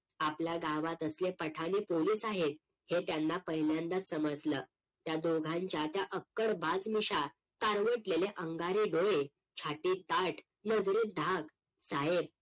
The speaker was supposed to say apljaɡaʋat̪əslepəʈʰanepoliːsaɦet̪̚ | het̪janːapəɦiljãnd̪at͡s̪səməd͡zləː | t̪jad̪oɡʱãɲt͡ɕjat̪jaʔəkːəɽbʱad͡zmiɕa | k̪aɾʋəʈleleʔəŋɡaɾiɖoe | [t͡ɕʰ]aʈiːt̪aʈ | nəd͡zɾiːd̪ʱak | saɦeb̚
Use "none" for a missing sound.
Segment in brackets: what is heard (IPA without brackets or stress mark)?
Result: t͡ɕʰ